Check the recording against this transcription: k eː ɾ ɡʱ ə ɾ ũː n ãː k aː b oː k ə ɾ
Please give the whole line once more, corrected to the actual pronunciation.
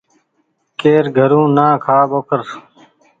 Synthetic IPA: k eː ɾ ɡʱ ə ɾ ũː n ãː kʰ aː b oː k ə ɾ